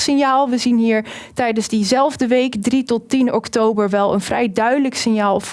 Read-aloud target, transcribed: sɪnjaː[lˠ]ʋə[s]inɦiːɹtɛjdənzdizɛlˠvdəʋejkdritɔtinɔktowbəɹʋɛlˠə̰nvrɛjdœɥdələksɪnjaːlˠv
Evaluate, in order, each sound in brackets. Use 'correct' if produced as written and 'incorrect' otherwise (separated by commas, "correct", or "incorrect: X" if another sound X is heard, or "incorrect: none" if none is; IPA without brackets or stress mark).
correct, incorrect: z